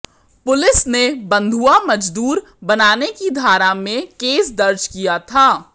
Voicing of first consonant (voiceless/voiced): voiceless